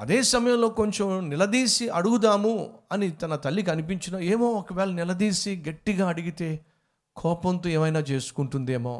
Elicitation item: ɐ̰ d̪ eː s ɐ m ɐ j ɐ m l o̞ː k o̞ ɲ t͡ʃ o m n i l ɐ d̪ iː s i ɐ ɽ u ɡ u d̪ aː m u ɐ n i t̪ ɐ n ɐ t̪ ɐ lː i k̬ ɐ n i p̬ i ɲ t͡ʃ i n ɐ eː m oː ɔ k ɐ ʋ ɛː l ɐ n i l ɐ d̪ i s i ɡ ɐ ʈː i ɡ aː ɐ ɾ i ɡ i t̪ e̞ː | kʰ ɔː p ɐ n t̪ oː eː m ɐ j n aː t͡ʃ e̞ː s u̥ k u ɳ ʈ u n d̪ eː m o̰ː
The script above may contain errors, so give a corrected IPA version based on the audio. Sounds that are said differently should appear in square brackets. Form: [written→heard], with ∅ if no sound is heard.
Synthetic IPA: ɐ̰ d̪ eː s ɐ m ɐ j ɐ m l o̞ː k o̞ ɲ t͡ʃ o m n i l ɐ d̪ iː s i ɐ ɽ u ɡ u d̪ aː m u ɐ n i t̪ ɐ n ɐ t̪ ɐ lː i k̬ ɐ n i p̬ i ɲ t͡ʃ i n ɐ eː m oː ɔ k ɐ ʋ ɛː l ɐ n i l ɐ d̪ [i→iː] s i ɡ ɐ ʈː i ɡ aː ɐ [ɾ→ɽ] i ɡ i t̪ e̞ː | kʰ ɔː p ɐ n t̪ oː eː m ɐ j n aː t͡ʃ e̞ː s u̥ k u ɳ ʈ u n d̪ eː m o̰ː